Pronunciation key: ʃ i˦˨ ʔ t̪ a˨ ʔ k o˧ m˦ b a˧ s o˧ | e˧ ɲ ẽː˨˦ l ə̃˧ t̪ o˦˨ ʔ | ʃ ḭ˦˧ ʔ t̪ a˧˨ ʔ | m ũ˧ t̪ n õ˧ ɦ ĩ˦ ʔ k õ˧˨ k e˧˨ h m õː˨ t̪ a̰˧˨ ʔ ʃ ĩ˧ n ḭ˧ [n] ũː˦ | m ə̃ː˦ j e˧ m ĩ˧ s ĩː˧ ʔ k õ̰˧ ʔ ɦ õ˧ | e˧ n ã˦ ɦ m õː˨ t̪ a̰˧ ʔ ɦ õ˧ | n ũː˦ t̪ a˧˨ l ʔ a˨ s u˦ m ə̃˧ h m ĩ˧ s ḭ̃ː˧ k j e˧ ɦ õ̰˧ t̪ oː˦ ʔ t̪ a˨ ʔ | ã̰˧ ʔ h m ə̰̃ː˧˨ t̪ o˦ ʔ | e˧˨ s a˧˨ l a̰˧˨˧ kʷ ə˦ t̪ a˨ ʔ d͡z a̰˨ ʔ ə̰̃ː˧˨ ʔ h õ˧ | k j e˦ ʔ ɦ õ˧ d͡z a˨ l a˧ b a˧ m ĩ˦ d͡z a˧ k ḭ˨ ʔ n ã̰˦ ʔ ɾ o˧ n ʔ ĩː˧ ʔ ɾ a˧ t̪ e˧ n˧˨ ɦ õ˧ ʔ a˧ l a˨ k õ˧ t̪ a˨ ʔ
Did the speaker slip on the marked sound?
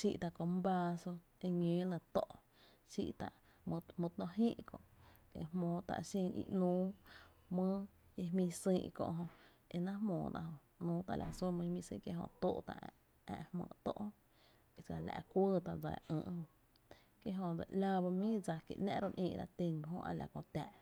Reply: no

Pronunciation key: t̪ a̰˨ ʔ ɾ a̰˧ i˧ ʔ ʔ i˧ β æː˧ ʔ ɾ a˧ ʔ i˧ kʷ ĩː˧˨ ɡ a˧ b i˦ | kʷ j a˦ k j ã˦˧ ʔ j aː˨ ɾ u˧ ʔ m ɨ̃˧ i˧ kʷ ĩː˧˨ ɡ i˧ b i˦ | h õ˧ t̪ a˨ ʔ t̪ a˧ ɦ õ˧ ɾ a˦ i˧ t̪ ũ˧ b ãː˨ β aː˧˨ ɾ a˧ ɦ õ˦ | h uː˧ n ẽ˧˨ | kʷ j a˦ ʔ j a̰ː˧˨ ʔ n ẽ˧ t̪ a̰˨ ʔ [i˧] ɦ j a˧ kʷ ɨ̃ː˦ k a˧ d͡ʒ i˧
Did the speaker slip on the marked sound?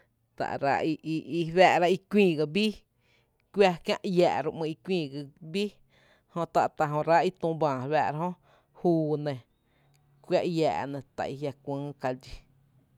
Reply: no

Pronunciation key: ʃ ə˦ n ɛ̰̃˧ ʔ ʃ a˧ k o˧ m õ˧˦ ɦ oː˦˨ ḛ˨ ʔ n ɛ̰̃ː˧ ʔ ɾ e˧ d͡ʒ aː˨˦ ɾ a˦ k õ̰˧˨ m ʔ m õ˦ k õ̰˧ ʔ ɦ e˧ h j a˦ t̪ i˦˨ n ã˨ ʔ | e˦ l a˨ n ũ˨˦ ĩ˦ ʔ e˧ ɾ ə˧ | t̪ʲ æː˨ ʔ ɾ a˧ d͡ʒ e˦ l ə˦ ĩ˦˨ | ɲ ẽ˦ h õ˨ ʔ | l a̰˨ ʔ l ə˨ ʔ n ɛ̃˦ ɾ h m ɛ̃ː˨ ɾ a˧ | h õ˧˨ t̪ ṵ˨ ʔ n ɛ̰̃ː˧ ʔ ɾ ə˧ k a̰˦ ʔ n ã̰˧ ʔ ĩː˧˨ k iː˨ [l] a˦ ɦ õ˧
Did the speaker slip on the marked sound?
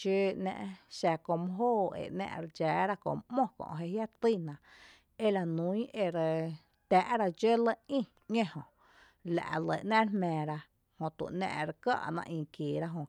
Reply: yes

